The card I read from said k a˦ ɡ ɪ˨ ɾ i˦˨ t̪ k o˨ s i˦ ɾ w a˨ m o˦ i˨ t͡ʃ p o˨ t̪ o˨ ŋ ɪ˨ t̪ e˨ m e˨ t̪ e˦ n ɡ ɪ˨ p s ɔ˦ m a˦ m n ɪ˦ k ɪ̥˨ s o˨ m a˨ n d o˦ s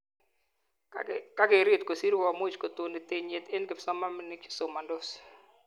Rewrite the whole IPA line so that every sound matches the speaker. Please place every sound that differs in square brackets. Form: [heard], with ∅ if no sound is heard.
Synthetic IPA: k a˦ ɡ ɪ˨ ɾ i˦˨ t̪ k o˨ s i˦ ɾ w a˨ m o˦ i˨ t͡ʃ [k] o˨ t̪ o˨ [n] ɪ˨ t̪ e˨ [ɲ] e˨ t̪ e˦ n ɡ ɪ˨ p s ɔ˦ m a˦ m n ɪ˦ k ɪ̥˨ s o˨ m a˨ n d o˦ s